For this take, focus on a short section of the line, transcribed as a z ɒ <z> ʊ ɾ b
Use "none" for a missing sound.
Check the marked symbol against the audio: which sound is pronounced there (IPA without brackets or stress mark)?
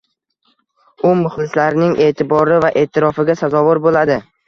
v